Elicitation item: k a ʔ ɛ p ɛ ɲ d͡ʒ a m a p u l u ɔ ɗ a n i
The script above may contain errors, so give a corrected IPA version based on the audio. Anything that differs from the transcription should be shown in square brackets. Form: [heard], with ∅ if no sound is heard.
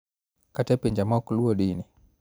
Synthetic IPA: k a [t] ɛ p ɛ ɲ d͡ʒ a m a [k] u l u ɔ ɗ [i] n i